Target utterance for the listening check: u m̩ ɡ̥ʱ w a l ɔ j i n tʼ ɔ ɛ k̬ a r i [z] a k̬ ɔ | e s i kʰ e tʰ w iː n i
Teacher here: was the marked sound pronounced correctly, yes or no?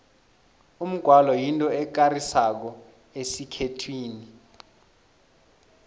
no